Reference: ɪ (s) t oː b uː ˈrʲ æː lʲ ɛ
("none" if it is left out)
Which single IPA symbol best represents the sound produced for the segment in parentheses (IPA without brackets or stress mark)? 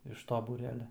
ʃ